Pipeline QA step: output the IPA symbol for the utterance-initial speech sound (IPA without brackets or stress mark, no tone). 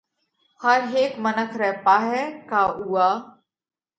h